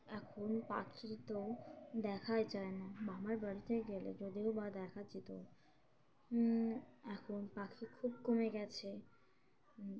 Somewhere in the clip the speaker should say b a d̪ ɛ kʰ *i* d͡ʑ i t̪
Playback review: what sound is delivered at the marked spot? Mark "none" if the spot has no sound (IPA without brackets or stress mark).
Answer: a